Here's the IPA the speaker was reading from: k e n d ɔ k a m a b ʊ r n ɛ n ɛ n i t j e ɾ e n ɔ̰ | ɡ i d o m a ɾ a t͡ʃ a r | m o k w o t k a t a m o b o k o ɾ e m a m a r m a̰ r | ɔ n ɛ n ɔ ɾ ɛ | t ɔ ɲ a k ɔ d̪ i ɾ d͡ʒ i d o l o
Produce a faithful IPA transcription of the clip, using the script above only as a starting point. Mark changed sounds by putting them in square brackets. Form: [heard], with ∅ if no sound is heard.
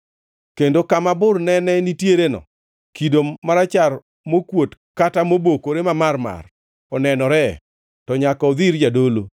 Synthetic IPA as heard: k e n d [o] k a m a b ʊ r n ɛ n ɛ n i t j e ɾ e n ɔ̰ | [k] i d o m a ɾ a t͡ʃ a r | m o k w o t k a t a m o b o k o ɾ e m a m a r m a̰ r | ɔ n ɛ n ɔ ɾ ɛ | t ɔ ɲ a k ɔ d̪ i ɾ d͡ʒ [a] d o l o

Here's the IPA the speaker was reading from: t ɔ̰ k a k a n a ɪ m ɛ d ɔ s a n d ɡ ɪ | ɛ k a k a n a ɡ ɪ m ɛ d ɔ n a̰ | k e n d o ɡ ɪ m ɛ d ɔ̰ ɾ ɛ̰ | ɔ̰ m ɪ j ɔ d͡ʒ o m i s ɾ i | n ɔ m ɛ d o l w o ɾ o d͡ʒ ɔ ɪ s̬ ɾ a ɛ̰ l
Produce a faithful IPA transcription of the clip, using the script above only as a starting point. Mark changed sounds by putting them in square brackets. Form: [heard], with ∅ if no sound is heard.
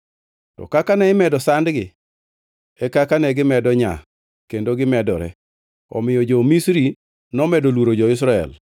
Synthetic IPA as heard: t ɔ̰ k a k a n [ɛ] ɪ m ɛ d ɔ s a n d ɡ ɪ | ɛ k a k a n [ɛ] ɡ ɪ m ɛ d ɔ [ɲ] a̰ | k e n d o ɡ ɪ m ɛ d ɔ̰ ɾ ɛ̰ | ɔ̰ m ɪ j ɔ d͡ʒ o m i s ɾ i | n ɔ m ɛ d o l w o ɾ o d͡ʒ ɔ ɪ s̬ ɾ a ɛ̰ l

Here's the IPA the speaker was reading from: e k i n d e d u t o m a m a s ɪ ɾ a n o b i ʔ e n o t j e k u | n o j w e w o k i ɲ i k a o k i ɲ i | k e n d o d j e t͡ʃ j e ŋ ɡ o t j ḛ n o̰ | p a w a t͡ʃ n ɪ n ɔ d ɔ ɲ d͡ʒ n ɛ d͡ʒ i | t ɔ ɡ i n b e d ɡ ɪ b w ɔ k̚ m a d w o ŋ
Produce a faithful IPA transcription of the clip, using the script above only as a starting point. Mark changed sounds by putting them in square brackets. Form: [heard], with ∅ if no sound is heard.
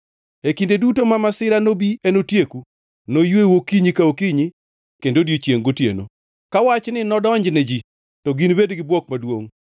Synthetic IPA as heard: e k i n d e d u t o m a m a s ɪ ɾ a n o b i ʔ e n o t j e k u | n o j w e w o k i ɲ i k a o k i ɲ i | k e n d o d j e t͡ʃ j e ŋ ɡ o t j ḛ n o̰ | [k] a w a t͡ʃ n ɪ n ɔ d ɔ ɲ d͡ʒ n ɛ d͡ʒ i | t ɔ ɡ i n b e d ɡ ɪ b w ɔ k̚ m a d w o ŋ

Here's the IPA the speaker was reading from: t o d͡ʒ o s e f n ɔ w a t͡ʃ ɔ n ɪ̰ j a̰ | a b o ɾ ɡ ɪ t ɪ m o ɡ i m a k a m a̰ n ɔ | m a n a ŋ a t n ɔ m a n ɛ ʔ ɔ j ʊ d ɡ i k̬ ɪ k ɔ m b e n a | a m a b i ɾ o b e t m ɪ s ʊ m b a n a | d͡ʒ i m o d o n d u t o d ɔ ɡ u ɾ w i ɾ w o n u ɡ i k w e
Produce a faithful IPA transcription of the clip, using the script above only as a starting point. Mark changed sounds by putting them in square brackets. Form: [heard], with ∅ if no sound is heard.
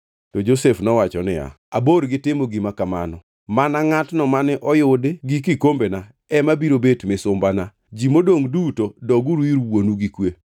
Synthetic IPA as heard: t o d͡ʒ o s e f n ɔ w a t͡ʃ ɔ n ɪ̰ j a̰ | a b o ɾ ɡ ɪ t ɪ m o ɡ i m a k a m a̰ n ɔ | m a n a ŋ a t n ɔ m a n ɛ ʔ ɔ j ʊ d ɡ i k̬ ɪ k [o] m b e n a | [ɛ] m a b i ɾ o b e t m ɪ s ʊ m b a n a | d͡ʒ i m o d o [ŋ] d u t o d ɔ ɡ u ɾ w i ɾ w o n u ɡ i k w e

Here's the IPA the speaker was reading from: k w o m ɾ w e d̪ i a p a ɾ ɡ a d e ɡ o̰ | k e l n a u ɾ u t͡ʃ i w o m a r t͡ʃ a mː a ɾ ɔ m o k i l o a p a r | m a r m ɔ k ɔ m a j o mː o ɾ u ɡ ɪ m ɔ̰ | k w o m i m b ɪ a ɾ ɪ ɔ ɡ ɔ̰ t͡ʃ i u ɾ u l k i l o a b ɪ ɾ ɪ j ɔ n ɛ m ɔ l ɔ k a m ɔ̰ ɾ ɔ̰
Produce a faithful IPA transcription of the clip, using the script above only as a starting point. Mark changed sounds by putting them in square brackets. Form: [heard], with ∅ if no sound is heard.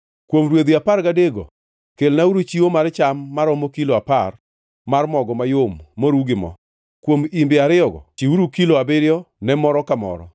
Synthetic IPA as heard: k w o m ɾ w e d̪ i a p a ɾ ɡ a d e ɡ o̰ | k e l n a u ɾ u t͡ʃ i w o m a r t͡ʃ a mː a ɾ ɔ m o k i l o a p a r | m a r m ɔ [ɡ] ɔ m a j o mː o ɾ u ɡ ɪ m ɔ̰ | k w o m i m b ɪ a ɾ ɪ ɔ ɡ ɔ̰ t͡ʃ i u ɾ u [∅] k i l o a b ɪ ɾ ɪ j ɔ n ɛ m ɔ [ɾ] ɔ k a m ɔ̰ ɾ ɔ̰

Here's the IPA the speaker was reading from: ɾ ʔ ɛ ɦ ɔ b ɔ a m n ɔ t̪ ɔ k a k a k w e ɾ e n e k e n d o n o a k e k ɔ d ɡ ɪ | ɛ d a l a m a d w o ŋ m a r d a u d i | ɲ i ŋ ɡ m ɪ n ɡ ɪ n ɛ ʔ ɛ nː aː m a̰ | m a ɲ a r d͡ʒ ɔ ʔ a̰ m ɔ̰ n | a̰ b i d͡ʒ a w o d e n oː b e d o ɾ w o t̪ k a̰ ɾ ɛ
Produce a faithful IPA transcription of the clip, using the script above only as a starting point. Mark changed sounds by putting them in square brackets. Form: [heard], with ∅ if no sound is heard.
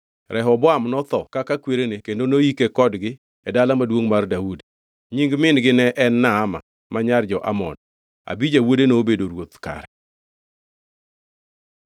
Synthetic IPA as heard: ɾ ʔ ɛ ɦ ɔ b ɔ a m n ɔ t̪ ɔ k a k a k w e ɾ e n e k e n d o n o [i] k e k ɔ d ɡ ɪ | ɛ d a l a m a d w o ŋ m a r d a u d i | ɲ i ŋ ɡ m ɪ n ɡ ɪ n ɛ ʔ ɛ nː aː m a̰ | m a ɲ a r d͡ʒ ɔ ʔ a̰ m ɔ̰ n | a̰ b i d͡ʒ a w o d e n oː b e d o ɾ w o t̪ k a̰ ɾ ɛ

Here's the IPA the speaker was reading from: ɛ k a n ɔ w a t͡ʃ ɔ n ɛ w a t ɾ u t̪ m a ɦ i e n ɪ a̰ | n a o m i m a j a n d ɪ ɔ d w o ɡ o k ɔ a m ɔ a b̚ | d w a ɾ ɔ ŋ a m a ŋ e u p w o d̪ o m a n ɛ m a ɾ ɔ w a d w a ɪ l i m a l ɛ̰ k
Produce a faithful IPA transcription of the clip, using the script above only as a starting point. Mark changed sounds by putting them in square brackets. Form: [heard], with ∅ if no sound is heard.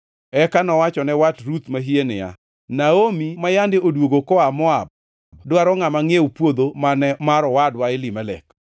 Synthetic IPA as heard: ɛ k a n ɔ w a t͡ʃ ɔ n ɛ w a t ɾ u t̪ m a ɦ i e n ɪ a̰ | n a o m i m a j a n d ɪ [o] d w o ɡ o k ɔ a m ɔ a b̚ | d w a ɾ ɔ ŋ a m a ŋ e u p w o d̪ o m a n ɛ m a ɾ ɔ w a d w a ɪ l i m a l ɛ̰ k

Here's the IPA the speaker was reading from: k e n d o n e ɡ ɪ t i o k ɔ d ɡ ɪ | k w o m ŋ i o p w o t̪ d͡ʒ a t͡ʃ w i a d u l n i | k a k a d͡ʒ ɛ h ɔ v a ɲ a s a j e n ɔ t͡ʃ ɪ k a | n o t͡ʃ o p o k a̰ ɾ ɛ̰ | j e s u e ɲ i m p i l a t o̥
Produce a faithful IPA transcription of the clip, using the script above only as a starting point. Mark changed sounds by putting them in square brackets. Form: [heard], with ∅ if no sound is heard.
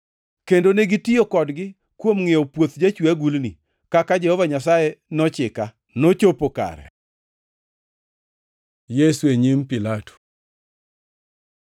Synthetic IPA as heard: k e n d o n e ɡ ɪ t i o k ɔ d ɡ ɪ | k w o m ŋ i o p w o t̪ d͡ʒ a t͡ʃ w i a [ɡ] u l n i | k a k a d͡ʒ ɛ h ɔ v a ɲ a s a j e n ɔ t͡ʃ ɪ k a | n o t͡ʃ o p o k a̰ ɾ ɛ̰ | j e s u e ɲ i m p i l a t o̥

